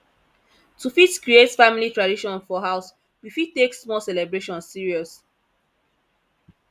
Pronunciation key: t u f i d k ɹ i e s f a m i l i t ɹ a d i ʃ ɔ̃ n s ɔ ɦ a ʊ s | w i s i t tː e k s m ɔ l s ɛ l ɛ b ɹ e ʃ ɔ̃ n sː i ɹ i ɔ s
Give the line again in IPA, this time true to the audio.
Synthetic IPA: t u f i t k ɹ i e t f a m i l i t ɹ a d i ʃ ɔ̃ n f ɔ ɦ a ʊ s | w i f i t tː e k s m ɔ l s ɛ l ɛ b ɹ e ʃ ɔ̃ n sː i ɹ i ɔ s